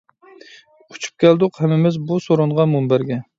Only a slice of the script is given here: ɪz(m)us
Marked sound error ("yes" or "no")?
yes